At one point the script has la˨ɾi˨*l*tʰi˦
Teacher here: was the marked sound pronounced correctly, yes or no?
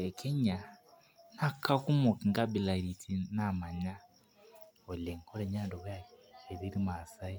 no